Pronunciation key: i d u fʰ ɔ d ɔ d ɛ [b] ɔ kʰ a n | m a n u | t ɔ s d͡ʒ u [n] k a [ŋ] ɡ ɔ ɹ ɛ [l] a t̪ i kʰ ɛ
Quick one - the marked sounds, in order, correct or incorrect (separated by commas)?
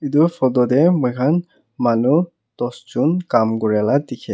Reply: incorrect, correct, incorrect, correct